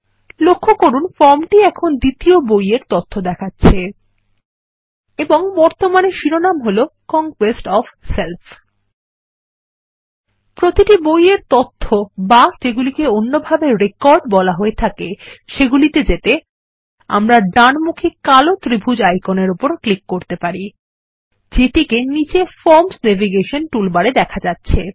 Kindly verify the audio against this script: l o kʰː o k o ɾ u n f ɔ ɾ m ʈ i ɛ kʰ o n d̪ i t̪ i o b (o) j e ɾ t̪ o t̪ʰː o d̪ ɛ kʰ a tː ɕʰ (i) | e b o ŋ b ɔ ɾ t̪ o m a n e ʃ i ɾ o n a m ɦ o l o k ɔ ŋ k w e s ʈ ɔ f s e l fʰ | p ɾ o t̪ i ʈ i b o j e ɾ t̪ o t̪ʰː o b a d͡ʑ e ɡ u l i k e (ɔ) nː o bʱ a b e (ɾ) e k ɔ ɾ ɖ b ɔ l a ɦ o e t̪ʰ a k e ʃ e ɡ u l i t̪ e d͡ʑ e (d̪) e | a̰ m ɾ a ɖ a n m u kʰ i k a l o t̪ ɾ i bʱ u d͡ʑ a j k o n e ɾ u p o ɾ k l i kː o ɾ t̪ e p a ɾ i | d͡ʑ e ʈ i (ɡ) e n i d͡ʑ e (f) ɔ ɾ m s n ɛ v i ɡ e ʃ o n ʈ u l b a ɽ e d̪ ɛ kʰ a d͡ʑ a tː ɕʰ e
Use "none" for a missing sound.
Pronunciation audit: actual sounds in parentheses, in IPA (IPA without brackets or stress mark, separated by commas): o, e, o, ɾ, t̪, k, f